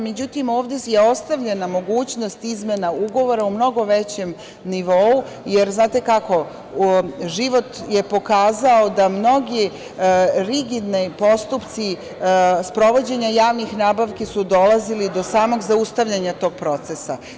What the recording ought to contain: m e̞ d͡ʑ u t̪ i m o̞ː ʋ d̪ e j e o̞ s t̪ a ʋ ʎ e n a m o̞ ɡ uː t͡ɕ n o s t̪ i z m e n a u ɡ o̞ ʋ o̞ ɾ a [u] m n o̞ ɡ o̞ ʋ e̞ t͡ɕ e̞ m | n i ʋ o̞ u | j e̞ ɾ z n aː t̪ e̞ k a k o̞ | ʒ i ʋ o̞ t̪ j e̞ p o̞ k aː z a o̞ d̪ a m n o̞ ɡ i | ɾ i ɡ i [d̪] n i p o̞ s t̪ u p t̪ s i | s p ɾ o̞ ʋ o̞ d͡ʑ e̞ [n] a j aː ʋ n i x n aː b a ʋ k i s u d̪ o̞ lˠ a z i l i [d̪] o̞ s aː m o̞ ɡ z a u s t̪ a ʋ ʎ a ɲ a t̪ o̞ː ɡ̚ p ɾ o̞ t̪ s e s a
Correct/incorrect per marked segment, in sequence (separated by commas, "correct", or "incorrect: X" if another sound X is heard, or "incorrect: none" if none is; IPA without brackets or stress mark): correct, correct, incorrect: ɲ, correct